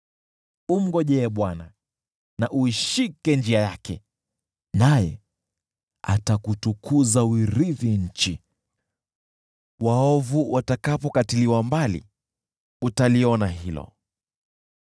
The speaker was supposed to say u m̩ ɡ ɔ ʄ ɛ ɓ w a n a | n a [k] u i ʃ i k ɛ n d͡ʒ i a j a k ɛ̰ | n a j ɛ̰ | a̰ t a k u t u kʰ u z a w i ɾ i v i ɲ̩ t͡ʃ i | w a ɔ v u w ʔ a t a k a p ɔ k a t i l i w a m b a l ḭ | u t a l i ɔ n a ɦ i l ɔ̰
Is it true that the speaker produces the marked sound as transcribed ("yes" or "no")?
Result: no